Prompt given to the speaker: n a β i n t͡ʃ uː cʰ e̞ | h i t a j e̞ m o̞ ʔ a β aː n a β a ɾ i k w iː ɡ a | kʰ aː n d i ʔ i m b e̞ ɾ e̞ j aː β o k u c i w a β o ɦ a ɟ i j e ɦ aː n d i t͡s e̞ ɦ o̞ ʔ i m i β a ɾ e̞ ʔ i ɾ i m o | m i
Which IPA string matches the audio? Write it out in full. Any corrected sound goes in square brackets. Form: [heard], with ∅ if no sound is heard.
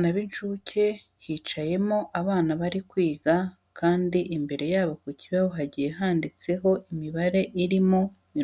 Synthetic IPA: n a β i n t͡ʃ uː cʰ e̞ | h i [t͡ʃ] a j e̞ m o̞ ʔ a β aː n a β a ɾ i k w iː ɡ a | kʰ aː n d i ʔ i m b e̞ ɾ e̞ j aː β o k u c i [β] a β o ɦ a ɟ i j e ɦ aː n d i t͡s e̞ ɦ o̞ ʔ i m i β a ɾ e̞ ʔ i ɾ i m o | m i